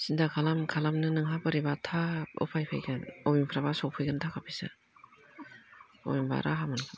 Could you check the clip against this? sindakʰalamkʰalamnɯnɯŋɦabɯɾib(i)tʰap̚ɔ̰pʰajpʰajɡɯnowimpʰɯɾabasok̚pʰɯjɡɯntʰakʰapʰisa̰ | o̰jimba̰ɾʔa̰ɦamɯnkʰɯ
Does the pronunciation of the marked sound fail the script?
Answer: yes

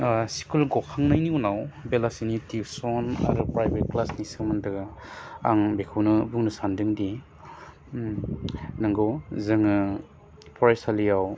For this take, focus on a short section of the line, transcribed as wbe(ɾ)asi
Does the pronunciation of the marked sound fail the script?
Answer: yes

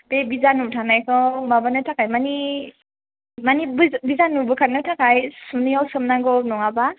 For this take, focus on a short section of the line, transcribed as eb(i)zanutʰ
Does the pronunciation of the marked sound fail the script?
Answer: no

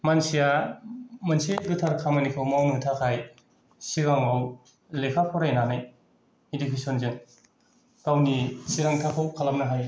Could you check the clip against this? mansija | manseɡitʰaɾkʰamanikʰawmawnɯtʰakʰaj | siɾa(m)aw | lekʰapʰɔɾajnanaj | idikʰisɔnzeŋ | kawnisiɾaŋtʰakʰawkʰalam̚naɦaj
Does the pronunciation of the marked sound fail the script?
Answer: yes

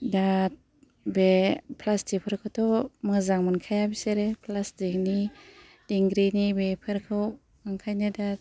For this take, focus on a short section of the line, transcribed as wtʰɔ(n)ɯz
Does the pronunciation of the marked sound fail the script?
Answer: yes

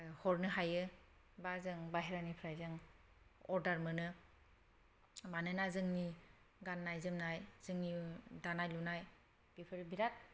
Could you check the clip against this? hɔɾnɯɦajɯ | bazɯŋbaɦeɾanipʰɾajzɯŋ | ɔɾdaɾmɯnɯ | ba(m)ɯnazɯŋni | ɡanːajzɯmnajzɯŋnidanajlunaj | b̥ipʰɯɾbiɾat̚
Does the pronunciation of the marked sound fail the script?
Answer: yes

